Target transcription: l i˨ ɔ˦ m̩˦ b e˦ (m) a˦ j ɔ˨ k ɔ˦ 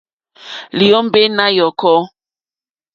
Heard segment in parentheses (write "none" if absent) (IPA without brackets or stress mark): n